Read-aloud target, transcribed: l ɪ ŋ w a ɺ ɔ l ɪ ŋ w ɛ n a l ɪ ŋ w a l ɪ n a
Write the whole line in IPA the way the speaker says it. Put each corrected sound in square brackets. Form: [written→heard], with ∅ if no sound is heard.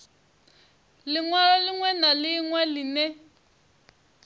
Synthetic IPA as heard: l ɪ ŋ w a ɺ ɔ l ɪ ŋ w ɛ n a l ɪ ŋ w [a→ɛ] l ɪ n [a→ɛ]

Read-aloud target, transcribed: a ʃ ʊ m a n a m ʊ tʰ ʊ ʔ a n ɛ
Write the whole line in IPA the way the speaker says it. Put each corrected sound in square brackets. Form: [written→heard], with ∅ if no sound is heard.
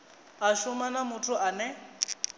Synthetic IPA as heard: a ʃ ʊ m a n a m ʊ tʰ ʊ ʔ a n ɛ

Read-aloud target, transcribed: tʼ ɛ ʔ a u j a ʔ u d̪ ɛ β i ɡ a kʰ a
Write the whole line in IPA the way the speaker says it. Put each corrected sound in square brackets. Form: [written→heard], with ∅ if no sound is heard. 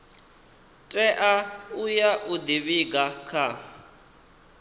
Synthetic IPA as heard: tʼ ɛ ʔ a u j a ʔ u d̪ [ɛ→i] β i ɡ a kʰ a

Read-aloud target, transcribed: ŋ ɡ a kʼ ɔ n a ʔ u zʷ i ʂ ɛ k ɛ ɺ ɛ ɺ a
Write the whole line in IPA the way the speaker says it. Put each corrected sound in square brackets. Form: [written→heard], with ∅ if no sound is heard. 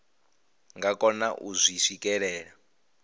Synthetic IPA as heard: ŋ ɡ a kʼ ɔ n a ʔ u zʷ i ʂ [ɛ→i] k ɛ ɺ [ɛ→ɛː] ɺ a

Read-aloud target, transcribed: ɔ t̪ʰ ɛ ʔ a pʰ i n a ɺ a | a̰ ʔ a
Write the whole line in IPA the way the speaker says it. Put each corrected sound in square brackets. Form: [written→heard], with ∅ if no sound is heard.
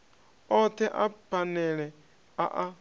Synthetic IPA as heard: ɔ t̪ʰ ɛ ʔ a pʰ [i→a] n [a→ɛ] ɺ [a→ɛ] | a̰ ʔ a

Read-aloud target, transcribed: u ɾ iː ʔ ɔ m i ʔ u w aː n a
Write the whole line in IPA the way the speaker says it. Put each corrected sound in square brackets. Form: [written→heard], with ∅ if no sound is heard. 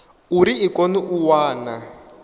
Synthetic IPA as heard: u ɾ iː [ʔ→k] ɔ [m→n] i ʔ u w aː n a

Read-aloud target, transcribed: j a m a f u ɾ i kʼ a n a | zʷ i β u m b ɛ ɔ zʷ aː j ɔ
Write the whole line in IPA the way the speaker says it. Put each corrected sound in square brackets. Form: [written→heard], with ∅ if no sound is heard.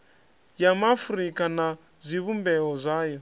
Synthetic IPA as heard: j a m a f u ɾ i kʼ a n a | zʷ i β u m b ɛ ɔ zʷ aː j ɔ

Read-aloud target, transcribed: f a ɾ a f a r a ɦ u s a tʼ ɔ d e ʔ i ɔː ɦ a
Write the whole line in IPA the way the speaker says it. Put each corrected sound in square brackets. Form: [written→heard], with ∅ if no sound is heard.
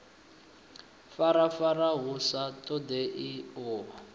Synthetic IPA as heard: f a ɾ a f a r a ɦ u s a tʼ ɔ d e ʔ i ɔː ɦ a

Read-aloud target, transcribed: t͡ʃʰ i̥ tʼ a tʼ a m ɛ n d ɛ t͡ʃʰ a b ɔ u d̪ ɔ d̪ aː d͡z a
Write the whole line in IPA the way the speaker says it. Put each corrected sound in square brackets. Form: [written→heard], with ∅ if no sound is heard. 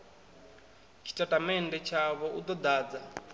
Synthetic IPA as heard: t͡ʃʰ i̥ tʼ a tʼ a m ɛ n d ɛ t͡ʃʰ a [b→β] ɔ u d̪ ɔ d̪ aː d͡z a

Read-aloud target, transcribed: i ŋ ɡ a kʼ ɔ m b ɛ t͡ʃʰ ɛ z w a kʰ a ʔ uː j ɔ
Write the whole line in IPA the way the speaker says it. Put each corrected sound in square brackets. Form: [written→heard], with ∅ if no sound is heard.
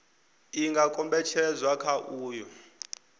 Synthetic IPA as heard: i ŋ ɡ a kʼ ɔ m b ɛ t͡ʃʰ ɛ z w a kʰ a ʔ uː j ɔ

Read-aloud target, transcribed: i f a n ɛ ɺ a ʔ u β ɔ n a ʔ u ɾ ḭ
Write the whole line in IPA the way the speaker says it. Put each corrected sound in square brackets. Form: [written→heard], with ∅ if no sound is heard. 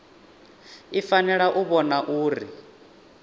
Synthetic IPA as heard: i f a n ɛ ɺ a ʔ u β ɔ n a ʔ [u→uː] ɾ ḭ

